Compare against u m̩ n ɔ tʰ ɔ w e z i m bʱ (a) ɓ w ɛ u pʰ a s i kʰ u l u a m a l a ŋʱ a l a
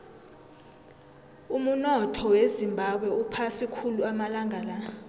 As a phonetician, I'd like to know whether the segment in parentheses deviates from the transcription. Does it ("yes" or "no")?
no